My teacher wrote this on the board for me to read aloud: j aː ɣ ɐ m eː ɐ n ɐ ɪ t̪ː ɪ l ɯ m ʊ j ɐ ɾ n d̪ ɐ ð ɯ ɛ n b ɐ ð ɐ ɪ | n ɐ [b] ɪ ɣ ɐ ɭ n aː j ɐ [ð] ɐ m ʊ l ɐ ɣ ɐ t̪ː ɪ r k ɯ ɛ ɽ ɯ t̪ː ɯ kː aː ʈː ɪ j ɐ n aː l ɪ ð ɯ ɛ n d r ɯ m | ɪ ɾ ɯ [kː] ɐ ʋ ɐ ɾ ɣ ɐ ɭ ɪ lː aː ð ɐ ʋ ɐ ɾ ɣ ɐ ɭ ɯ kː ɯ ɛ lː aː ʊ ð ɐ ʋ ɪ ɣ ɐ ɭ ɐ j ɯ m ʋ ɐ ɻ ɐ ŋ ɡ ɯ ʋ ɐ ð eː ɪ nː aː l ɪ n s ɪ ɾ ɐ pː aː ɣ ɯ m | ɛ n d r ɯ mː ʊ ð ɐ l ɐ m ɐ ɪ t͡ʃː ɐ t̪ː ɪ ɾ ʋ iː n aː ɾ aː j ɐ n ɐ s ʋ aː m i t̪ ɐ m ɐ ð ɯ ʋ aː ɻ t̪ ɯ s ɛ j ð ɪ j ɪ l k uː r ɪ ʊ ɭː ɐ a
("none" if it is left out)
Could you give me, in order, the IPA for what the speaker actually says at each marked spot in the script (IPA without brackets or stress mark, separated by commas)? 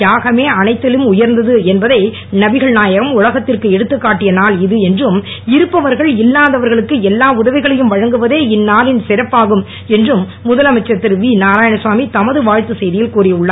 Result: b, ɣ, pː